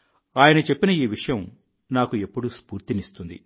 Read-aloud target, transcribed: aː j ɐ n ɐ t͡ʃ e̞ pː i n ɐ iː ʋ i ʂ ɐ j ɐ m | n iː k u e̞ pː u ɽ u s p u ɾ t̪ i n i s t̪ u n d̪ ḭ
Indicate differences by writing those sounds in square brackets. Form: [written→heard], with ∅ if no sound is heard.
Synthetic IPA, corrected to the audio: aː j ɐ n ɐ t͡ʃ e̞ pː i n ɐ iː ʋ i ʂ ɐ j ɐ m | n [iː→aː] k u e̞ pː u ɽ u s p [u→uː] ɾ t̪ i n i s t̪ u n d̪ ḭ